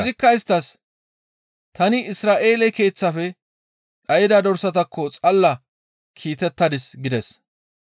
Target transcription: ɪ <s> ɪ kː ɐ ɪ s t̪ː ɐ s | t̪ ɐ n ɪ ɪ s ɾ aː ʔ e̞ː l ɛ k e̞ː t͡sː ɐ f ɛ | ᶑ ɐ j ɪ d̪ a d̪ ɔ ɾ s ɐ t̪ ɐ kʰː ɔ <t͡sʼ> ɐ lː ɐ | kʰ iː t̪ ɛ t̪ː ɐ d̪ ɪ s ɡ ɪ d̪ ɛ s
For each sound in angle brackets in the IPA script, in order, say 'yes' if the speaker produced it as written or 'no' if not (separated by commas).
no, yes